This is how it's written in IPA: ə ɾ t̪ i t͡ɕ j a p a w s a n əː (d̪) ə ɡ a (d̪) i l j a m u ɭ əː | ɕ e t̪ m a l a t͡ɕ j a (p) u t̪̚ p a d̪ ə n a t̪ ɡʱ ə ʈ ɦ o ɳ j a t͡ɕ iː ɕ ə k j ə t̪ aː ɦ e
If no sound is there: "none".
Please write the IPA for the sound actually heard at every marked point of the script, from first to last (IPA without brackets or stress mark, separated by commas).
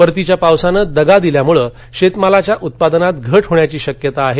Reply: d̪, d̪, ʔ